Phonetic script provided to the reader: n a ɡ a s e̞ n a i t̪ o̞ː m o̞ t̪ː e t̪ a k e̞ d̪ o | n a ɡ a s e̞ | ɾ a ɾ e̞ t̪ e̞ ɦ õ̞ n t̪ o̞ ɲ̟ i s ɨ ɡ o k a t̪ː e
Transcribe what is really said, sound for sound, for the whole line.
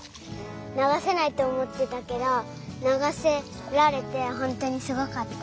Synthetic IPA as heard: n a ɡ a s e̞ n a i t̪ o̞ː m o̞ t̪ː e t̪ a k e̞ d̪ o | n a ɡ a s e̞ | ɾ a ɾ e̞ t̪ e̞ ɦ õ̞ n t̪ o̞ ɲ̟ i s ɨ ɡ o k a t̪ː a